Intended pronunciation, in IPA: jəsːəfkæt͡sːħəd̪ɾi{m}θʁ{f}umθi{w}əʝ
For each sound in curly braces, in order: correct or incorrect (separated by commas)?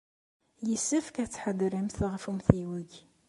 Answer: correct, correct, correct